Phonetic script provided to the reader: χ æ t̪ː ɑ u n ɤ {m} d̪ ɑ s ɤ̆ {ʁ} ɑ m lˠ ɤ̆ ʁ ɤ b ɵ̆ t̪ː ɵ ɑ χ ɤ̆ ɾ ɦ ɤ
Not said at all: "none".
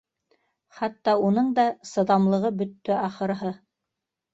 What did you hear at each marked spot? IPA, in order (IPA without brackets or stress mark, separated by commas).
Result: ɴ, ð